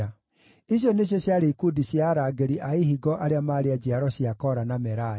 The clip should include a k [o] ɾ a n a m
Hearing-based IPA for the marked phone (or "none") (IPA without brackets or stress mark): ɔ